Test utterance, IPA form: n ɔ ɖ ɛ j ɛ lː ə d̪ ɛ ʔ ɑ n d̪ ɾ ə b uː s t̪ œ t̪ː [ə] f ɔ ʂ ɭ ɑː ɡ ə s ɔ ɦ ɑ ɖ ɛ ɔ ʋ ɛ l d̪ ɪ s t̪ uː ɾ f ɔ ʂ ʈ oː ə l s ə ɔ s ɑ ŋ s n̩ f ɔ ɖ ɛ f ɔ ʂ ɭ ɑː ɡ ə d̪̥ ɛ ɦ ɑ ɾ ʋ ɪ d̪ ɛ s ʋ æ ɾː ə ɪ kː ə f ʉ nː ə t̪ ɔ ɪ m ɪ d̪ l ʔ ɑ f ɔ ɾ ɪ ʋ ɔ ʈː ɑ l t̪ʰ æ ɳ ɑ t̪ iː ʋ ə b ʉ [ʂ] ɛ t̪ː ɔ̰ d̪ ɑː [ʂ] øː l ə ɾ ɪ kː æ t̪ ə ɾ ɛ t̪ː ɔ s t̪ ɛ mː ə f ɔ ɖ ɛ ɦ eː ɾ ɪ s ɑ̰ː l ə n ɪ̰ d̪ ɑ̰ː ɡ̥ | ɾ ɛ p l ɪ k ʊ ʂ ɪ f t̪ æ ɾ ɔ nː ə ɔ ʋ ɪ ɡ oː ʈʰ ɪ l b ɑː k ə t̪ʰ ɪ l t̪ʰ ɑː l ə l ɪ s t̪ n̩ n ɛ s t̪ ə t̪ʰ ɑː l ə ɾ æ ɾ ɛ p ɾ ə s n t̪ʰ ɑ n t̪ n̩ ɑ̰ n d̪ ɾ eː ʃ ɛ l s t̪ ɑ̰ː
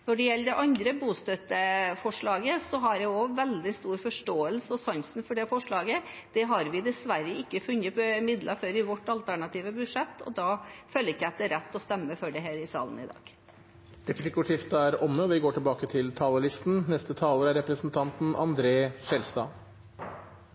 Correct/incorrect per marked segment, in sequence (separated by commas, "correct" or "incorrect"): correct, correct, incorrect